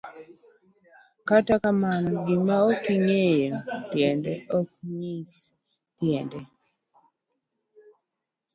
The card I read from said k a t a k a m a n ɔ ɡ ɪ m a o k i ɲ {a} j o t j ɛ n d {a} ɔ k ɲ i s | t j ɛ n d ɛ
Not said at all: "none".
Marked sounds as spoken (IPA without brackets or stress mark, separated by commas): e, ɛ